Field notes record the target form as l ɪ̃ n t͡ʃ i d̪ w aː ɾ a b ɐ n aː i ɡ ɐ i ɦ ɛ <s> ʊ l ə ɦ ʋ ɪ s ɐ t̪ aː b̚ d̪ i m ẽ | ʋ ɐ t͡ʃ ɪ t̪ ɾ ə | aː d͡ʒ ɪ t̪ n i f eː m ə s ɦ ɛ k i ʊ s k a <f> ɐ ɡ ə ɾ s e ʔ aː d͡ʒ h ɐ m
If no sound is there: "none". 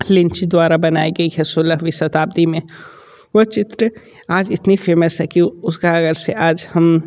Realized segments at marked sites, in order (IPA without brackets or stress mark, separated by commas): s, none